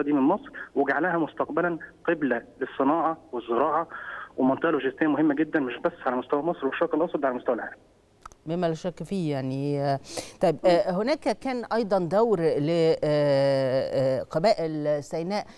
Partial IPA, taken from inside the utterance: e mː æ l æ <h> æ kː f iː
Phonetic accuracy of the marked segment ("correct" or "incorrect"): incorrect